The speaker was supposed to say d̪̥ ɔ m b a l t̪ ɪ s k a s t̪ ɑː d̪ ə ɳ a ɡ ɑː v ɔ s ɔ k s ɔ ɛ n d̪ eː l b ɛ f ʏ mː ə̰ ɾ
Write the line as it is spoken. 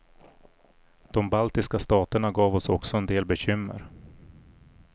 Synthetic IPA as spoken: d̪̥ ɔ m b a l t̪ ɪ s k a s t̪ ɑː t̪ ə ɳ a ɡ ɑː v ɔ s ɔ k s ɔ ɛ n d̪ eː l b ɛ ɕ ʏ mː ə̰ ɾ